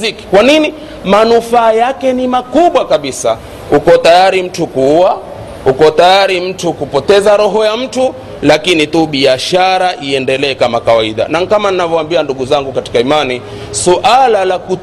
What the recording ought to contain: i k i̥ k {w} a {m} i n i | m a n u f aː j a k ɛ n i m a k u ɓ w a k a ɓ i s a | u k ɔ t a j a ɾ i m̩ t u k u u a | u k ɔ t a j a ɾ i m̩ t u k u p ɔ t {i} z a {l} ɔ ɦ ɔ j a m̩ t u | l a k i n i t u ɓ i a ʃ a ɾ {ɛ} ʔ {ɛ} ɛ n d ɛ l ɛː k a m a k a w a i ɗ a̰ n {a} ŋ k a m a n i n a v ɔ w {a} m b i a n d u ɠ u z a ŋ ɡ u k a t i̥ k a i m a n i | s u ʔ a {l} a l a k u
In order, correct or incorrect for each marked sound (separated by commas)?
correct, incorrect, incorrect, incorrect, incorrect, incorrect, correct, correct, correct